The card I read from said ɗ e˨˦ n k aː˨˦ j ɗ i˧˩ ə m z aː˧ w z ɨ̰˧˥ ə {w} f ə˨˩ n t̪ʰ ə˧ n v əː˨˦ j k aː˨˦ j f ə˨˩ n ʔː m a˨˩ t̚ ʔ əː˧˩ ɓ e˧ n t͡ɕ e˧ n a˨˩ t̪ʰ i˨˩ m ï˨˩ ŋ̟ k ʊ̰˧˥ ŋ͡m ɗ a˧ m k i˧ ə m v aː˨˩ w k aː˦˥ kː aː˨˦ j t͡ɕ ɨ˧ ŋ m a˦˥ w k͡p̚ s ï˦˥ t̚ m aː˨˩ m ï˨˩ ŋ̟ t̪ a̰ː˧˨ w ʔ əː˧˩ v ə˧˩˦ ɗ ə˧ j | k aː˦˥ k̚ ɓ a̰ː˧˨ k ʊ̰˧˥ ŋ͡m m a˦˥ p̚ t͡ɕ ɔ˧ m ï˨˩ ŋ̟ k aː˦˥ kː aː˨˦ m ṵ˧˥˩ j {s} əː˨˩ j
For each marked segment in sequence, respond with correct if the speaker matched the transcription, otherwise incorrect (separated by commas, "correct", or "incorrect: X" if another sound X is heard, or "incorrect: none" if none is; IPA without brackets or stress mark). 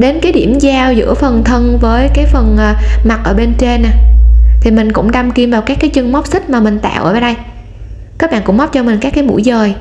incorrect: none, incorrect: z